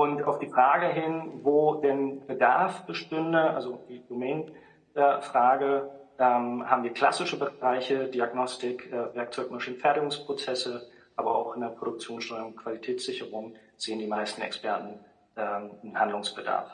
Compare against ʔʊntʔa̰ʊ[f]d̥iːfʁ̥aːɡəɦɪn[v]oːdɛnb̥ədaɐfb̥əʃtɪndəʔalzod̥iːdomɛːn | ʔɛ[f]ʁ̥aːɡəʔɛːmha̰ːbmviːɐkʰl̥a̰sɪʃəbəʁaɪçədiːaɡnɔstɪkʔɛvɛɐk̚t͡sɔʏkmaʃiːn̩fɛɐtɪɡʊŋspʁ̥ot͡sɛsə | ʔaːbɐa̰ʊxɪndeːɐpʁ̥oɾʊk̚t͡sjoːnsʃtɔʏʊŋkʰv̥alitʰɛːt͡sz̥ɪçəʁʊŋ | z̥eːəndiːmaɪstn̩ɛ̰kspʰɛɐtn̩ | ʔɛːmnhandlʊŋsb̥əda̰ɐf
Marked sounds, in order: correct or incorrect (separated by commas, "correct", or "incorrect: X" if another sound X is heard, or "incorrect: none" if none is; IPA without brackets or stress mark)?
correct, correct, correct